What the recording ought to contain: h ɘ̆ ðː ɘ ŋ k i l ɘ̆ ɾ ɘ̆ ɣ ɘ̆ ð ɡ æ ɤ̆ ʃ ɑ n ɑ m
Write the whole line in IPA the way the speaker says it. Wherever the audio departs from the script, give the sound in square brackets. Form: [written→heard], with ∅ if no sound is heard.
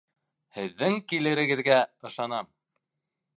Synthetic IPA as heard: h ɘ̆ ðː ɘ ŋ k i l ɘ̆ ɾ ɘ̆ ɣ ɘ̆ ð ɡ æ ɤ̆ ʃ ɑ n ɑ m